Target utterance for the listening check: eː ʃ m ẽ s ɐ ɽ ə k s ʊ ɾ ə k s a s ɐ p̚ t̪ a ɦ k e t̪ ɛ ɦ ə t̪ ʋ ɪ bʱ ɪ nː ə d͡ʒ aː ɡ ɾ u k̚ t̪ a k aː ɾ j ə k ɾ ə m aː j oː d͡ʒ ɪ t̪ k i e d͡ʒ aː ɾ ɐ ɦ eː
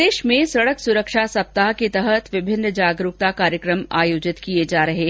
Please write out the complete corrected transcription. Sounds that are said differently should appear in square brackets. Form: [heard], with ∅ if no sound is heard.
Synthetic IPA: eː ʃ m ẽ s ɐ ɽ ə k s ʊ ɾ ə k [ʃ] a s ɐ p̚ t̪ a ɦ k e t̪ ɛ ɦ ə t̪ ʋ ɪ bʱ ɪ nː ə d͡ʒ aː ɡ ɾ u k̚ t̪ a k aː ɾ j ə k ɾ ə m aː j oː d͡ʒ ɪ t̪ k i e d͡ʒ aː ɾ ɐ ɦ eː